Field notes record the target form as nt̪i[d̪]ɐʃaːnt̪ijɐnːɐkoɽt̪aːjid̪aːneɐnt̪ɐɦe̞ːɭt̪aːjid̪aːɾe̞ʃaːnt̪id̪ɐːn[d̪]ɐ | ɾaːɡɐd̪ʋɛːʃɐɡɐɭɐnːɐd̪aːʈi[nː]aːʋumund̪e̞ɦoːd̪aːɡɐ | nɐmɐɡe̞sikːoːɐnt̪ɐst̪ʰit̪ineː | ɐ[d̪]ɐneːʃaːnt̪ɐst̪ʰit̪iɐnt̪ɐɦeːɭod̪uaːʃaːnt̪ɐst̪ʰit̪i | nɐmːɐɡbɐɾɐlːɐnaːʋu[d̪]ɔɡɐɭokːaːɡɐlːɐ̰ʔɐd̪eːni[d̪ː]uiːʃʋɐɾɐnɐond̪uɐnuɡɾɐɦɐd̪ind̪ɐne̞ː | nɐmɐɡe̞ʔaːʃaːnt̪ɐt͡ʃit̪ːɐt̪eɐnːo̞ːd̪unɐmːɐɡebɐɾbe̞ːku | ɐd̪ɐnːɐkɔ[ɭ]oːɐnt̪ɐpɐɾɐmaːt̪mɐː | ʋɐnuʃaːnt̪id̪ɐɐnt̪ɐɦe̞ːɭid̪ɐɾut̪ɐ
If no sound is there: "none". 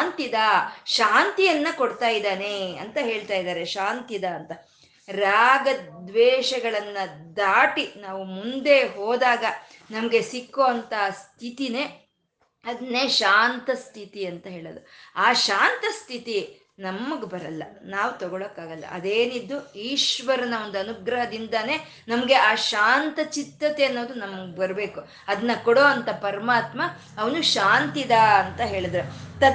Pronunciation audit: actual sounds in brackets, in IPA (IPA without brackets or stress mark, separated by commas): d̪, t̪, n, d̪, t̪, d̪ː, ɽ